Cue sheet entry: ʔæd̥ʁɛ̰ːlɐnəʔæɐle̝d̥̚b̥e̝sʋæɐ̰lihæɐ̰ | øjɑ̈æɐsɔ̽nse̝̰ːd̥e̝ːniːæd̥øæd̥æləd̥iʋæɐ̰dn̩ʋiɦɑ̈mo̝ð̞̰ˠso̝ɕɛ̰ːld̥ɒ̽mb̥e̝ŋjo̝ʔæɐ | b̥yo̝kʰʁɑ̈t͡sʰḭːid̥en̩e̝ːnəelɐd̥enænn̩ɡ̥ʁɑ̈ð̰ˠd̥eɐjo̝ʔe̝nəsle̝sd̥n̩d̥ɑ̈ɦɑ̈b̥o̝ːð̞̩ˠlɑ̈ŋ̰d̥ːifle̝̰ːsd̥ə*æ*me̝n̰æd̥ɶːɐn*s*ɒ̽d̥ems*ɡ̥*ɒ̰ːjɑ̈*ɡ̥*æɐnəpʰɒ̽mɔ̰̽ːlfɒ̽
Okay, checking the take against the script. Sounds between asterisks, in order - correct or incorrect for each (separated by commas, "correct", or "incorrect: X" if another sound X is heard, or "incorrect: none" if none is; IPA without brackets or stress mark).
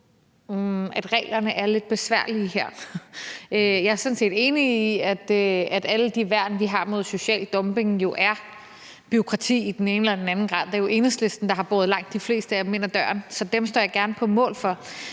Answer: correct, correct, incorrect: d̥, correct